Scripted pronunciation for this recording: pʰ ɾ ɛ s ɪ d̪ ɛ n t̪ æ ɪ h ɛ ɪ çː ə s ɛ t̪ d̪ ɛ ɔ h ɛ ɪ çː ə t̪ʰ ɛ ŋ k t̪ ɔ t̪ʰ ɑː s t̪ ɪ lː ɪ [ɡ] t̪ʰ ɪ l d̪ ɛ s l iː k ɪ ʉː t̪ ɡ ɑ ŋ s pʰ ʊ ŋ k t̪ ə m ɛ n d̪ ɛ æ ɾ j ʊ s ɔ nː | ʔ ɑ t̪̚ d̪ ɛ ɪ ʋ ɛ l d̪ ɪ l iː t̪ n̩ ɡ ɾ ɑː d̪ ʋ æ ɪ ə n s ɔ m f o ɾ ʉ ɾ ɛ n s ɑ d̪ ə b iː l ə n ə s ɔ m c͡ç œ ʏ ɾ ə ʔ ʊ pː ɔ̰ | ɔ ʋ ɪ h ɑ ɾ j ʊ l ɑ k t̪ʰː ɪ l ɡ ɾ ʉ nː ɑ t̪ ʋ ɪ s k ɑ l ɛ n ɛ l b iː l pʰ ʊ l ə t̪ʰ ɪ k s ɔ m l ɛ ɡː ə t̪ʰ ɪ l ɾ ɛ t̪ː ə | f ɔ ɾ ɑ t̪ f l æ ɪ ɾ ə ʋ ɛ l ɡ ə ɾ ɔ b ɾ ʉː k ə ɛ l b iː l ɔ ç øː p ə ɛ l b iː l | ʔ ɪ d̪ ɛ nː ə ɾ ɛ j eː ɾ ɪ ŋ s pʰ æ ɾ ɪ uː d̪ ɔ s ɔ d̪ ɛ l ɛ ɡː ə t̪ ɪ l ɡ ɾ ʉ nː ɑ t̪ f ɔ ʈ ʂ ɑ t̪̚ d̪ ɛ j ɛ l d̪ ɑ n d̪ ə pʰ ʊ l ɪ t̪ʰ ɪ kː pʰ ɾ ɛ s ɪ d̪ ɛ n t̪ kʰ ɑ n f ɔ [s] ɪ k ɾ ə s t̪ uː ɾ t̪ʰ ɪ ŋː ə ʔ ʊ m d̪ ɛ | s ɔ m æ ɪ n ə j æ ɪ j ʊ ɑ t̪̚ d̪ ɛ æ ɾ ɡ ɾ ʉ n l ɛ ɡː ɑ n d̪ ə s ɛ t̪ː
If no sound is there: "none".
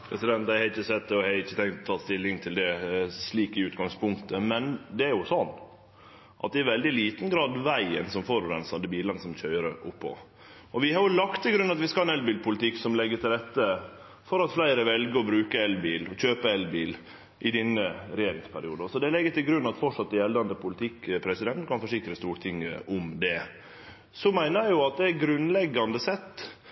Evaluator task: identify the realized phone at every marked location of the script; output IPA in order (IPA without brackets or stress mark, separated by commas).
ŋ, ʂ